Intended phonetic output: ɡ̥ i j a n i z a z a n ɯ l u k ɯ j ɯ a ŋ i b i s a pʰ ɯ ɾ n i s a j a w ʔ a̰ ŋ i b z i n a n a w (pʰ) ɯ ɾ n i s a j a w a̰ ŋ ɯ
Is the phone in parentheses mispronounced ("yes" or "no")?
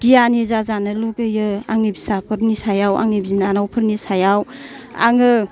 no